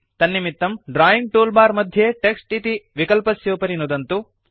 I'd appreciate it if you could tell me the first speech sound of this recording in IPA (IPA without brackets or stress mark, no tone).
t̪